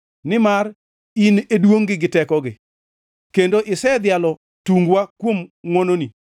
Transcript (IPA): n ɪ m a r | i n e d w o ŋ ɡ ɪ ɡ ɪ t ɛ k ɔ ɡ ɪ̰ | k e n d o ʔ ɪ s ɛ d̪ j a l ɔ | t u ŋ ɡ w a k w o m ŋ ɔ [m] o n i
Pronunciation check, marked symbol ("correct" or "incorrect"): incorrect